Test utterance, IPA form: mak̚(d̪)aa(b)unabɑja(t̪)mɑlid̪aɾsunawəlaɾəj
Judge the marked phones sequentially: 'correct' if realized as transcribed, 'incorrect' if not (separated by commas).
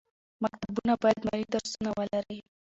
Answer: incorrect, correct, incorrect